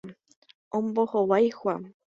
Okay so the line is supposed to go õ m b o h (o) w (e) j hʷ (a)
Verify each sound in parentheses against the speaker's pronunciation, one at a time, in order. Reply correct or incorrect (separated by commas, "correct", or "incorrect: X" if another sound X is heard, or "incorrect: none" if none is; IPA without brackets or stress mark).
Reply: correct, incorrect: a, correct